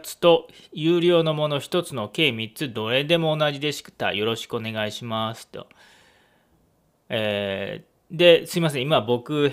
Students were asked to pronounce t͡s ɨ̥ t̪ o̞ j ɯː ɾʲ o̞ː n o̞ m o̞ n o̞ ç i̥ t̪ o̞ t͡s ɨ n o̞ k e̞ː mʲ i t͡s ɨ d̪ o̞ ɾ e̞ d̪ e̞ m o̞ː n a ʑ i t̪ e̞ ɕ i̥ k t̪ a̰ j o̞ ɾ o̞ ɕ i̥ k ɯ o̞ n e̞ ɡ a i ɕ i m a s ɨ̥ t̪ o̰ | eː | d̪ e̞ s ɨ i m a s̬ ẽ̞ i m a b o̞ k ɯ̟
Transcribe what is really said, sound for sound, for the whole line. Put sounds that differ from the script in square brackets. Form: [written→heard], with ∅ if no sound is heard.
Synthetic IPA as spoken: t͡s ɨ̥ t̪ o̞ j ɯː ɾʲ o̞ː n o̞ m o̞ n o̞ ç i̥ t̪ o̞ t͡s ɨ n o̞ k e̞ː mʲ i t͡s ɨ d̪ o̞ ɾ e̞ d̪ e̞ m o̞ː n a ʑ i [t̪→d̪] e̞ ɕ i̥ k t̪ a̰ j o̞ ɾ o̞ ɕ i̥ k ɯ o̞ n e̞ ɡ a i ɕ i m a s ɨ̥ t̪ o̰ | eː | d̪ e̞ s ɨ i m a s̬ ẽ̞ i m a b o̞ k ɯ̟